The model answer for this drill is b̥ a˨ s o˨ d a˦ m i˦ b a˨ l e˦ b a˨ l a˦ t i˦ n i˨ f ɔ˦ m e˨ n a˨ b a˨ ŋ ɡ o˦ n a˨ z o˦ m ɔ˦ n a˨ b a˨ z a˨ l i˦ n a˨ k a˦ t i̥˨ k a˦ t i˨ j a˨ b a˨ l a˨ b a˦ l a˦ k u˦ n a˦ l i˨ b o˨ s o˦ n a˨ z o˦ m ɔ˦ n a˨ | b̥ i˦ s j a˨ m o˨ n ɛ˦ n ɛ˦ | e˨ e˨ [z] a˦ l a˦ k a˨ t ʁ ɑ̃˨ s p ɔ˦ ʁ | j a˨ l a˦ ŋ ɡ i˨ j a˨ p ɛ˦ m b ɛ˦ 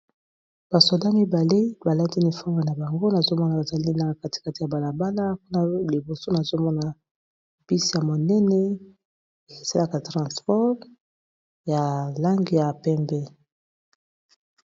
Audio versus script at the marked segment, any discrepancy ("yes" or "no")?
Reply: yes